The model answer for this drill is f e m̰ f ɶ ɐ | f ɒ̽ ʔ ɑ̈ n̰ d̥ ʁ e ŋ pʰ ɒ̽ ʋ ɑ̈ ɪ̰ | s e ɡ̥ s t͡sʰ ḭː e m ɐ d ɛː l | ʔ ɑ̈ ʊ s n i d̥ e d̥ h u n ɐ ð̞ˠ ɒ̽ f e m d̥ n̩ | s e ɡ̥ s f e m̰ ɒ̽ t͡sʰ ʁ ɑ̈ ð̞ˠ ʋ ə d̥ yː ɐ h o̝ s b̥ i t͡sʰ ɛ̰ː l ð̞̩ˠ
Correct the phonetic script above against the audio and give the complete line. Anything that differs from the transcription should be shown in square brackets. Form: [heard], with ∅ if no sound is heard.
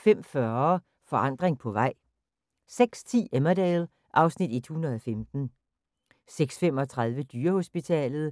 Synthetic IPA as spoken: f e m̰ f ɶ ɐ | f ɒ̽ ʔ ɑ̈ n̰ d̥ ʁ e ŋ pʰ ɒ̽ ʋ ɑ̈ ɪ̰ | s e ɡ̥ s t͡sʰ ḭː e m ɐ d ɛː l | ʔ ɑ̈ ʊ s n i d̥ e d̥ h u n ɐ ð̞ˠ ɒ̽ f e m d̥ n̩ | s e ɡ̥ s f e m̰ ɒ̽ t͡sʰ ʁ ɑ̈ ð̞ˠ ʋ ə d̥ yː ɐ h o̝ s b̥ i t͡sʰ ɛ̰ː l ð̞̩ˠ